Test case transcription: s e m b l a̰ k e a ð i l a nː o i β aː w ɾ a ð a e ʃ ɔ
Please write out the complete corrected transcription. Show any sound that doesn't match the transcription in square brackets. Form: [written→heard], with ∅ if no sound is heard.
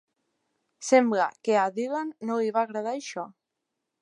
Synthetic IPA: s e m b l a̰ k e a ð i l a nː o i β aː [w→ɣ] ɾ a ð a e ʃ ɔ